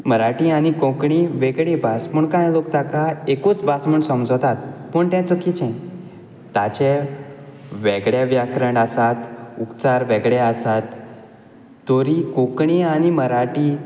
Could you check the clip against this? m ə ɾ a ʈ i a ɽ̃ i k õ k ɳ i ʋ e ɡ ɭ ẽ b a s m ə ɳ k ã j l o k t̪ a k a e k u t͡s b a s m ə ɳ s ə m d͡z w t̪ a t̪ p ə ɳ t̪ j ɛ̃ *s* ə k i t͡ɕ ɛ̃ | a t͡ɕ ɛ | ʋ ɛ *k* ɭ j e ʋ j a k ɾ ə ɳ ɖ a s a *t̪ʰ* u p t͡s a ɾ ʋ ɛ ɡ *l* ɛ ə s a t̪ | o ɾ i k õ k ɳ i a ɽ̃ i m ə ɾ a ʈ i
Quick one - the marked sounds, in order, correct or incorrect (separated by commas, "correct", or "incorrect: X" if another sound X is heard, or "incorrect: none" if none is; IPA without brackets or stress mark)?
incorrect: t͡s, incorrect: ɡ, incorrect: t̪, incorrect: ɭ